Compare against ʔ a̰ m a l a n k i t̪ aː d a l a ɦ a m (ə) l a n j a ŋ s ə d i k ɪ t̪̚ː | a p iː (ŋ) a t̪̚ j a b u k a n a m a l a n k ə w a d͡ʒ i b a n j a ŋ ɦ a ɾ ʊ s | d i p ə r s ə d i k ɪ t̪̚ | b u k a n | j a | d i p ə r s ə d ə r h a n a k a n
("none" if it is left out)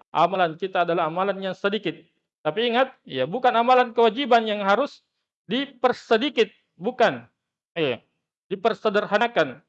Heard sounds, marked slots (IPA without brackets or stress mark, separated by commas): a, ŋ